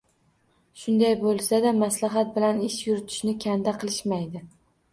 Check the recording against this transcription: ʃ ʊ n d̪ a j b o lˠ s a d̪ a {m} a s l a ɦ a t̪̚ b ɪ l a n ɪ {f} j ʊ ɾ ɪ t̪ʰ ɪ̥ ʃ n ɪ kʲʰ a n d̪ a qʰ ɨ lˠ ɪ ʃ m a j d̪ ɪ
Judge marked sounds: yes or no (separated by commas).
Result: yes, no